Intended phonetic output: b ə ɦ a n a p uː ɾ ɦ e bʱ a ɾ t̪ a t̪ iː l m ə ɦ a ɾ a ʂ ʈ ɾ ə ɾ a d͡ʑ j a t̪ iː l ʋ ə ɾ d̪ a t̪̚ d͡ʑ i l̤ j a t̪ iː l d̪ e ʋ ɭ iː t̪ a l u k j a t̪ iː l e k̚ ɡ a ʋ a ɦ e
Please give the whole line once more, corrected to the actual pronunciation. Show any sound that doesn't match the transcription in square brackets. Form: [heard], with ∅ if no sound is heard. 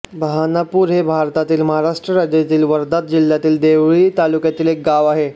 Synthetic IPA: b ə ɦ a n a p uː ɾ ɦ e bʱ a ɾ t̪ a t̪ iː l m ə ɦ a ɾ a ʂ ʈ ɾ ə ɾ a d͡ʑ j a t̪ iː l ʋ ə ɾ d̪ a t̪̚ d͡ʑ i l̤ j a t̪ iː l d̪ e ʋ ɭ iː t̪ a l u k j a t̪ iː l e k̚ ɡ a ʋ a ɦ e